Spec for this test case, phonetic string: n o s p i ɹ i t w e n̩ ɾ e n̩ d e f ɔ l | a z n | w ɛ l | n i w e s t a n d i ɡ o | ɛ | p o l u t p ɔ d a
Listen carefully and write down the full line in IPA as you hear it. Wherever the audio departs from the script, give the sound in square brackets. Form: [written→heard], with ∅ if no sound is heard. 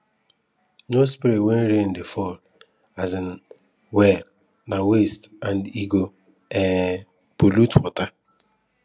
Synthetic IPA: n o s p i [ɹ→ɾ] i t w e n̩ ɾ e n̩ d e f ɔ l | a z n | w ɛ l | n [i→a] w e s t a n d i ɡ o | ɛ | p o l u t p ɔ [d→t] a